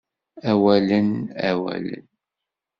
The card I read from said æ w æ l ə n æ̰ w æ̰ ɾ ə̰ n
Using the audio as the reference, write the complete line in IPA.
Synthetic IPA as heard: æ w æ l ə n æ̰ w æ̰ l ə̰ n